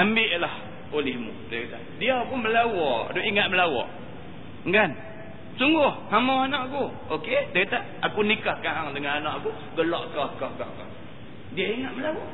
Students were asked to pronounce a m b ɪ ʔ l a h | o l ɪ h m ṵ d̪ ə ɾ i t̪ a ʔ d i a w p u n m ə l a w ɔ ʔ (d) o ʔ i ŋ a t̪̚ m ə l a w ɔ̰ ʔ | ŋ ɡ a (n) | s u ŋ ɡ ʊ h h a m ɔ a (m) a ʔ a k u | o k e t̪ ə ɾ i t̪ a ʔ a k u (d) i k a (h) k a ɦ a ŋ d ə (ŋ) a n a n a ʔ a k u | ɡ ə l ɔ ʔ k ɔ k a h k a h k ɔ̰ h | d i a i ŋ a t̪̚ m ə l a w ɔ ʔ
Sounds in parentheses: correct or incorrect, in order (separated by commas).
correct, correct, incorrect, incorrect, correct, correct